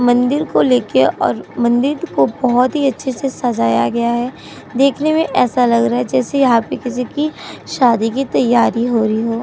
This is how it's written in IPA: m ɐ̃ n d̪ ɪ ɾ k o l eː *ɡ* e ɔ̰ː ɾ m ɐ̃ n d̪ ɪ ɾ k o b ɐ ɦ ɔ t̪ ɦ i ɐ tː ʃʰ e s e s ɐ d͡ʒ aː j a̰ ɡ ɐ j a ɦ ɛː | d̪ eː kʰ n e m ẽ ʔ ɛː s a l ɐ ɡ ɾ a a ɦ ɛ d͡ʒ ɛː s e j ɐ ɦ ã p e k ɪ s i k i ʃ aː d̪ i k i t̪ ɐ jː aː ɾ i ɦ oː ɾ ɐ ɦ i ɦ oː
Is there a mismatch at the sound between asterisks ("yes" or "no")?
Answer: yes